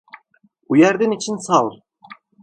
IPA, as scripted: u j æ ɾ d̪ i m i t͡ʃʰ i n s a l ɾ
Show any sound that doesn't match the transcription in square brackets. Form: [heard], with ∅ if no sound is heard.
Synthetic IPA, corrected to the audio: u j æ ɾ d̪ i [n] i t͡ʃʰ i n s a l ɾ